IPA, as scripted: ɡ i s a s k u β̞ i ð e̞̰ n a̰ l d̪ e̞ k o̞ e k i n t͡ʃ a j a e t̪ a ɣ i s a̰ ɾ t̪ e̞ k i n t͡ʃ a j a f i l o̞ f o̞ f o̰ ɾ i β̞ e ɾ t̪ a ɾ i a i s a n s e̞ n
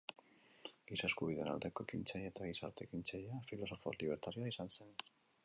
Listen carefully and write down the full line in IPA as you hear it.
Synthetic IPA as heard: ɡ i s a s k u β̞ i ð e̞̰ n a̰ l d̪ e̞ k o̞ e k i n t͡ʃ a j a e t̪ a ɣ i s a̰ ɾ t̪ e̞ k i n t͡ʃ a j a f i l o̞ s o̞ f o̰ l i β̞ e ɾ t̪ a ɾ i a i s a n s e̞ n